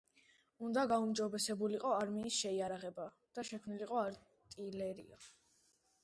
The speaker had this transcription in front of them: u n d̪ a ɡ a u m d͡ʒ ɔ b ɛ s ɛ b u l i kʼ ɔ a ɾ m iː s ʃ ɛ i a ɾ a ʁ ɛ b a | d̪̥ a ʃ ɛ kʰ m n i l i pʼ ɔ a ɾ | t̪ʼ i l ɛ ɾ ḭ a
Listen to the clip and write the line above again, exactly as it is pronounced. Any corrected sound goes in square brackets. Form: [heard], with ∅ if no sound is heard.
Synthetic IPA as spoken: u n d̪ a ɡ a u m d͡ʒ ɔ b ɛ s ɛ b u l i [qʼ] ɔ a ɾ m iː s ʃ ɛ i a ɾ a ʁ ɛ b a | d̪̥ a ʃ ɛ kʰ m n i l i [qʼ] ɔ a ɾ | t̪ʼ i l ɛ ɾ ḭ a